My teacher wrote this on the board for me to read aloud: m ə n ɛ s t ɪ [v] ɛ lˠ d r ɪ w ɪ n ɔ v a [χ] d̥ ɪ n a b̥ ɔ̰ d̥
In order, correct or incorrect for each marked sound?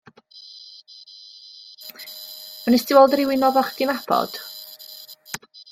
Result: incorrect, correct

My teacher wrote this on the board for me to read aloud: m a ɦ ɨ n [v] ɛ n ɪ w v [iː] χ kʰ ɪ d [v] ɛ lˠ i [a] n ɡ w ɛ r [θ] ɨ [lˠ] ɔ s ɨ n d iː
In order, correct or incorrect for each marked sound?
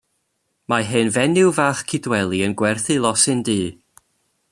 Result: correct, incorrect, incorrect, incorrect, correct, correct

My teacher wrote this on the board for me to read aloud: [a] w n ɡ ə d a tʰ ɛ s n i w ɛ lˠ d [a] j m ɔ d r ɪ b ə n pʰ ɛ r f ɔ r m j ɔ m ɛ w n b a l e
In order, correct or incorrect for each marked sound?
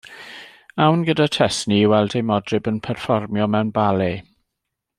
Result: correct, incorrect

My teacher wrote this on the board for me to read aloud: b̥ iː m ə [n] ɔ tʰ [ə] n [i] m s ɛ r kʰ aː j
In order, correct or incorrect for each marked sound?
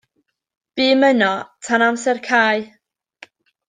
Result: correct, incorrect, incorrect

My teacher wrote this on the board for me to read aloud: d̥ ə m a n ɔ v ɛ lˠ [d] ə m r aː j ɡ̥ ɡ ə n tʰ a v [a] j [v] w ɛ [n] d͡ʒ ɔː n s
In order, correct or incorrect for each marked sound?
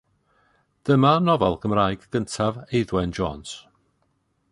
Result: incorrect, incorrect, incorrect, correct

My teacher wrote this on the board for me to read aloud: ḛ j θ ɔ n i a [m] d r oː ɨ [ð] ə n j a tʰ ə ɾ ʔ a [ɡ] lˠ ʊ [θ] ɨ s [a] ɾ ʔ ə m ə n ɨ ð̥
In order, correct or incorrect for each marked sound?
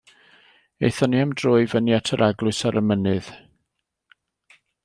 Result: correct, incorrect, correct, incorrect, correct

